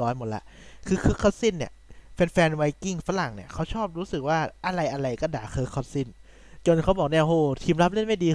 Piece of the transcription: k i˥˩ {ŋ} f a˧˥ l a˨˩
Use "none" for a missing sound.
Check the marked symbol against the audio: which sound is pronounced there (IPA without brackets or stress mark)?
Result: ŋ